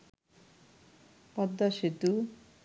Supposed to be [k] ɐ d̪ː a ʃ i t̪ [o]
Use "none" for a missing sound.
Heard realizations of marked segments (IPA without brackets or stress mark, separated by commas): p, u